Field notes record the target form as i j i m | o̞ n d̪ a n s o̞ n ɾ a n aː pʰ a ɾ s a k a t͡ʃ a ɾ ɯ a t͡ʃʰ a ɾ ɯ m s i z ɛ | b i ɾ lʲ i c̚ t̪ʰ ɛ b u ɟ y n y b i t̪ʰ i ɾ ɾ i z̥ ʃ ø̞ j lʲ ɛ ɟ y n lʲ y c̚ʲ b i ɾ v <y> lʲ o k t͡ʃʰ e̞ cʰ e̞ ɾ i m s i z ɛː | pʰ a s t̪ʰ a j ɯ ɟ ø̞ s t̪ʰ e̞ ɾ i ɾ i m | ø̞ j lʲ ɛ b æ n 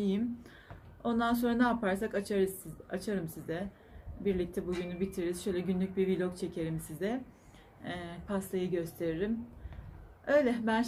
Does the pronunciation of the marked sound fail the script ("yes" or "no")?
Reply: yes